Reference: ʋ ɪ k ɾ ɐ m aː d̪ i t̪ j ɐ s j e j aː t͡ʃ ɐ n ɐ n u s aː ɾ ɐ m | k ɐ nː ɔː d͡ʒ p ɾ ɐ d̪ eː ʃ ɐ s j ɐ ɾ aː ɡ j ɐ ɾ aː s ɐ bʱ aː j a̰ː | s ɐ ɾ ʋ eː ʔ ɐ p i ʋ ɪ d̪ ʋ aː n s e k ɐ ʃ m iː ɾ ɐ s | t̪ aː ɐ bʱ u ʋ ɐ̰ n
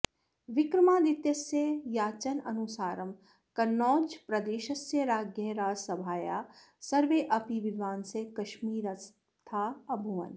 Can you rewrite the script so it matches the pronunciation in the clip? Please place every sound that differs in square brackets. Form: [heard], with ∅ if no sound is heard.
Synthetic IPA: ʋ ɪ k ɾ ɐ m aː d̪ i t̪ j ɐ s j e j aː t͡ʃ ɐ n ɐ n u s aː ɾ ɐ m | k ɐ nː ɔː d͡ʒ p ɾ ɐ d̪ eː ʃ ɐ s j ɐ ɾ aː ɡ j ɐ ɾ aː s ɐ bʱ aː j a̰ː | s ɐ ɾ ʋ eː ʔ ɐ p i ʋ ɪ d̪ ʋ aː n s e k ɐ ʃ m iː ɾ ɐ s | [t̪ʰ] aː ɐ bʱ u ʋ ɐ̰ n

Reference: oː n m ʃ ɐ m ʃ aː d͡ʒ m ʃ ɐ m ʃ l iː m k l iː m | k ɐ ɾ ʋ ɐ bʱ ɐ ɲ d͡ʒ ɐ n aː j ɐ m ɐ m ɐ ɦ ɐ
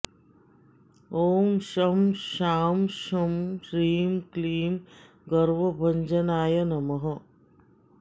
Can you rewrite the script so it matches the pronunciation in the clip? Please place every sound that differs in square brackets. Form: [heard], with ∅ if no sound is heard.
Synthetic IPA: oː [∅] m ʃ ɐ m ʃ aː [∅] m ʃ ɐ m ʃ [ɾ] iː m k l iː m | [ɡ] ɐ ɾ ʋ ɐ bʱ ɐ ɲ d͡ʒ ɐ n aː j ɐ [n] ɐ m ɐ ɦ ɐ

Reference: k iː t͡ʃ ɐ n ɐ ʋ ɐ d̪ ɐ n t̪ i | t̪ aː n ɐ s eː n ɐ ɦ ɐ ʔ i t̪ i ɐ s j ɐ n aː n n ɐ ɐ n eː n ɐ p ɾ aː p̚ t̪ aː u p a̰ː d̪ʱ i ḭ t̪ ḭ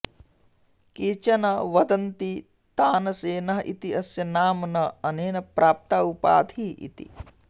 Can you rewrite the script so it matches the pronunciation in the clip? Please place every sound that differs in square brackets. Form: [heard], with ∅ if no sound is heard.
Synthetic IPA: k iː t͡ʃ ɐ n ɐ ʋ ɐ d̪ ɐ n t̪ i | t̪ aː n ɐ s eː n ɐ ɦ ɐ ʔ i t̪ i ɐ s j ɐ n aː [m] n ɐ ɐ n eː n ɐ p ɾ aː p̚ t̪ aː u p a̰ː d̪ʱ i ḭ t̪ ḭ

